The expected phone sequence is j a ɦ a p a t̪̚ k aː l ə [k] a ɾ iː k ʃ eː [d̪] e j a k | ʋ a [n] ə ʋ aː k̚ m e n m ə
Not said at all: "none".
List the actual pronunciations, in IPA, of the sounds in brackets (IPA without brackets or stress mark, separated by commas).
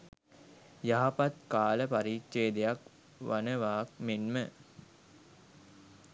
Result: p, d̪, n